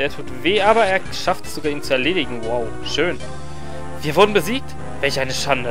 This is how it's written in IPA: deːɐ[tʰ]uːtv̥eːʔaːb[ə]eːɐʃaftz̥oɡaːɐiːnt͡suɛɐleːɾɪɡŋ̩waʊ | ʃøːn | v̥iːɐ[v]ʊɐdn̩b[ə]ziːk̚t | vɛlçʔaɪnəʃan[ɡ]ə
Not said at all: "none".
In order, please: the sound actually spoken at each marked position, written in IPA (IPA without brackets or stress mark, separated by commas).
tʰ, ɐ, v, ə, d